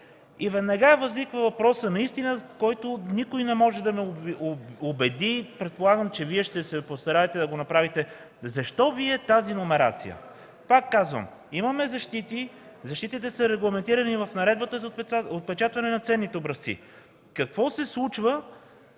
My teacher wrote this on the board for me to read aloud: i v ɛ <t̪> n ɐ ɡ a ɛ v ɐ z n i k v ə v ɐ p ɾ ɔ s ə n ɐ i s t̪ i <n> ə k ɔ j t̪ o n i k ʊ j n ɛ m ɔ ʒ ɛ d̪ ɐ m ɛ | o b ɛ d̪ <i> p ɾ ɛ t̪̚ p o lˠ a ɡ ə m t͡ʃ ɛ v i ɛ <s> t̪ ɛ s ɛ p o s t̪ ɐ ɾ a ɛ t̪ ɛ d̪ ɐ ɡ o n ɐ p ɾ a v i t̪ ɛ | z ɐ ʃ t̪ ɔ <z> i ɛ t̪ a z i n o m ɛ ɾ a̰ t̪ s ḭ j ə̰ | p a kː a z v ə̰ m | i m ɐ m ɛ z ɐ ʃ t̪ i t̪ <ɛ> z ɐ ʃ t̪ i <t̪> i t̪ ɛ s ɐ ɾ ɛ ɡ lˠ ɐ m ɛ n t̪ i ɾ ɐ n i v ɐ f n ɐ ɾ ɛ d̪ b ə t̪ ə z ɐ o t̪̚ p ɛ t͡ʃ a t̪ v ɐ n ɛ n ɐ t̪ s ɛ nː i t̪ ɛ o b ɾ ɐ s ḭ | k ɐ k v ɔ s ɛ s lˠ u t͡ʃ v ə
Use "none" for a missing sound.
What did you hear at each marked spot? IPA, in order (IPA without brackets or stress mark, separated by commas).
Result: d̪, n, i, ʃ, v, i, t̪